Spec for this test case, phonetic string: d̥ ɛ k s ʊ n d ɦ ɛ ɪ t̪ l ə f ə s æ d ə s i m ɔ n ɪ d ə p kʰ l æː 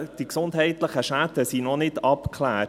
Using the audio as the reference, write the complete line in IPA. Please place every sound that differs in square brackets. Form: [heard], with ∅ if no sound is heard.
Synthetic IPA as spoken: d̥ [i] k s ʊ n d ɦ ɛ ɪ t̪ l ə [χ] ə [ʃ] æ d ə s i [n] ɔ n ɪ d [ɑ] p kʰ l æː